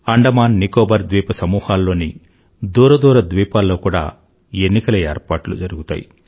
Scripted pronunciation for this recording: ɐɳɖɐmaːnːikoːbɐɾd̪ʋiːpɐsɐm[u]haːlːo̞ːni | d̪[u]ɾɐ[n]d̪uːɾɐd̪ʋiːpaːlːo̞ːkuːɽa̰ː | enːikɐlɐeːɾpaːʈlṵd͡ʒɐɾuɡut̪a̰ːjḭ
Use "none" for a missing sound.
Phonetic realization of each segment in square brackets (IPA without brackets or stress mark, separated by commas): uː, uː, none